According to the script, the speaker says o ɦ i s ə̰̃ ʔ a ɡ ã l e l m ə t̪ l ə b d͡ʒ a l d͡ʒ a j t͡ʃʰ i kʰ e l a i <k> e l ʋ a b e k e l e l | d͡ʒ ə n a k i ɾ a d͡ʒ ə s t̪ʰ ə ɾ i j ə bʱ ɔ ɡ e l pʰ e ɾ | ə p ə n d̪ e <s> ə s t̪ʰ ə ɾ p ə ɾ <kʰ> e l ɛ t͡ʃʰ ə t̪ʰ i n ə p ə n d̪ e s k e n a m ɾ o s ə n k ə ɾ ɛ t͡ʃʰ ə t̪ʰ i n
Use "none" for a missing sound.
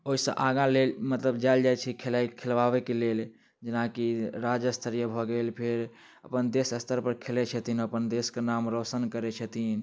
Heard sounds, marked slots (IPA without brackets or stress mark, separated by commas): kʰ, s, kʰ